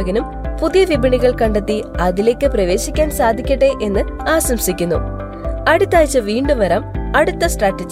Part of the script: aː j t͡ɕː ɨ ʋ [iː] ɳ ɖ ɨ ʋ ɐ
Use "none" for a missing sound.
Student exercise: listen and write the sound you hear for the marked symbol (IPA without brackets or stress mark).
iː